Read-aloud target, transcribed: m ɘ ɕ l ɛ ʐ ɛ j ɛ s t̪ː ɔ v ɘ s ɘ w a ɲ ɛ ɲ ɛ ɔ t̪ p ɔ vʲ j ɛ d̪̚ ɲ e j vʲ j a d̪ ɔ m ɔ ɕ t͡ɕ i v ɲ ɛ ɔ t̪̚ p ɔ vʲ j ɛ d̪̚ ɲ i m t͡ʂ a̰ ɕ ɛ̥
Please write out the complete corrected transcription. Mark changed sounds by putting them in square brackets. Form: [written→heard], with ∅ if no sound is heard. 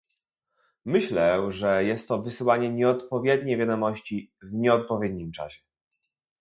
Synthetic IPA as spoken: m ɘ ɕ l ɛ ʐ ɛ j ɛ s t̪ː ɔ v ɘ s ɘ w a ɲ ɛ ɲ ɛ ɔ t̪ p ɔ vʲ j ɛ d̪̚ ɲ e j vʲ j a d̪ ɔ m ɔ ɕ t͡ɕ i v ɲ ɛ ɔ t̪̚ p ɔ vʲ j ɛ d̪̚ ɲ i m t͡ʂ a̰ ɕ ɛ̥